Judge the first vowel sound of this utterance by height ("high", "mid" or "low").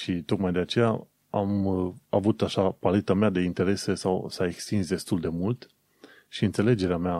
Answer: high